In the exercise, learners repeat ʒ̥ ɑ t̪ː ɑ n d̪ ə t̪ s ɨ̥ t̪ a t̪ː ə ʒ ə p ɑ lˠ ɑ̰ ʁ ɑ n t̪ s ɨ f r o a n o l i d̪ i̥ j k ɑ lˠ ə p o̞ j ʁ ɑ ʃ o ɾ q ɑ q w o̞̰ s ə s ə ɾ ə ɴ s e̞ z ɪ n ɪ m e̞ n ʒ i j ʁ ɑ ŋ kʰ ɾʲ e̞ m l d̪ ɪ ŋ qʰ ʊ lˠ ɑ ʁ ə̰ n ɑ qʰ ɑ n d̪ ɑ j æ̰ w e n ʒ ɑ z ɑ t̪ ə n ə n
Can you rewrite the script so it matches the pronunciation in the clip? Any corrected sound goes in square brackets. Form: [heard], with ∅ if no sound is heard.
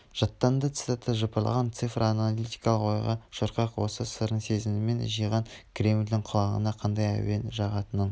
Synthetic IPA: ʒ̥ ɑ t̪ː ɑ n d̪ ə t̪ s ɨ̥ t̪ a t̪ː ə ʒ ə p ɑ lˠ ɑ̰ ʁ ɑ n t̪ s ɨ f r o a n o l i [t̪] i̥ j k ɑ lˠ ə [q] o̞ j ʁ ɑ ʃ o ɾ q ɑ q w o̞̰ s ə s ə ɾ ə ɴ s e̞ z ɪ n ɪ m e̞ n ʒ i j ʁ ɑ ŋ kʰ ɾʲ e̞ m l d̪ ɪ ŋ qʰ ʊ lˠ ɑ ʁ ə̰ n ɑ qʰ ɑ n d̪ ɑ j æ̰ w e n ʒ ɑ [ʁ] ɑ t̪ ə n ə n